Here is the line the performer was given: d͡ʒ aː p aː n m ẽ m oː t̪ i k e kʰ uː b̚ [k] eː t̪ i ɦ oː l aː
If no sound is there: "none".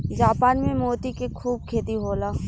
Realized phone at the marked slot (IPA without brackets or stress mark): kʰ